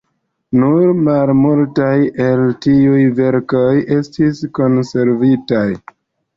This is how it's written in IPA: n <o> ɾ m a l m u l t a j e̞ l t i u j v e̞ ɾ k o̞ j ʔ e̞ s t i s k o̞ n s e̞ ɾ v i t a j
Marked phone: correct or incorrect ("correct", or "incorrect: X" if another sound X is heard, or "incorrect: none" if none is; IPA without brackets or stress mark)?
incorrect: u